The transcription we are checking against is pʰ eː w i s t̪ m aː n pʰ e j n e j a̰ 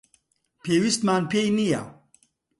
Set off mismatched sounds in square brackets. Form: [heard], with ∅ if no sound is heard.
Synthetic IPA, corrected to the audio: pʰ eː w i s t̪ m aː n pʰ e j n [i] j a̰